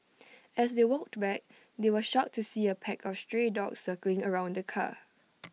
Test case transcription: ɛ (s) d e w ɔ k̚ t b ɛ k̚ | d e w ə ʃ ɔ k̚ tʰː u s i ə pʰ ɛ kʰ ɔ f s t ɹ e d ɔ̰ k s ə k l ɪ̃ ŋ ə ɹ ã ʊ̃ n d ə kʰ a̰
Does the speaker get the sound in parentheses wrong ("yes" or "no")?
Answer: no